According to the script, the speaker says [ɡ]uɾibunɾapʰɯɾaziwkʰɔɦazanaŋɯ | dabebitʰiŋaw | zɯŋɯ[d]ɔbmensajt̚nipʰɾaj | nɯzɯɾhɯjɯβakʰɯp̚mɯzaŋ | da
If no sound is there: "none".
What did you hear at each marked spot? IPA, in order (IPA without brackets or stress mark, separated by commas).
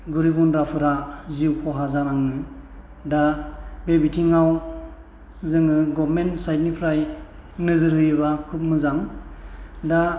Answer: ɡ, ɡ